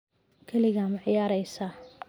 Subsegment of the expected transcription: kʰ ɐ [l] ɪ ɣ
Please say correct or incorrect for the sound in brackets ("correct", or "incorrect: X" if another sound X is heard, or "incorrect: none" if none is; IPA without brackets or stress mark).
correct